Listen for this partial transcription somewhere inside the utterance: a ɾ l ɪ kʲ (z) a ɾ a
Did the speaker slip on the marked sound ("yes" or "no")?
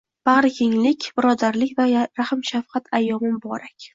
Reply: yes